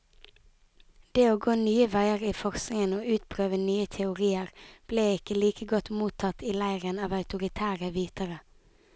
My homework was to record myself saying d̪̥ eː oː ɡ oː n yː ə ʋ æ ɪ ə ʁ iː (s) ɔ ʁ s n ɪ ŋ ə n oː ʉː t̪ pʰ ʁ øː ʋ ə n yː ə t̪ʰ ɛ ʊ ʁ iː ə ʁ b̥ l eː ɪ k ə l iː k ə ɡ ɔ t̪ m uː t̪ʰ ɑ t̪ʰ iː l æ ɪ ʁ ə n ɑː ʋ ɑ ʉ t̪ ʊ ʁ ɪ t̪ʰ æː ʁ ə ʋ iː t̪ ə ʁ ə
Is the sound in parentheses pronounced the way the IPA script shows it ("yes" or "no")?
no